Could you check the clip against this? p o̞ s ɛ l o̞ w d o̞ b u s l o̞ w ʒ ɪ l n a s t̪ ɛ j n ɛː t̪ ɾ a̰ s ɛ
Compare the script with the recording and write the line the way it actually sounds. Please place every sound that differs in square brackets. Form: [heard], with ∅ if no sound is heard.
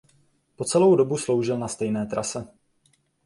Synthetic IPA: p o̞ [t͡s] ɛ l o̞ w d o̞ b u s l o̞ w ʒ ɪ l n a s t̪ ɛ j n ɛː t̪ ɾ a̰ s ɛ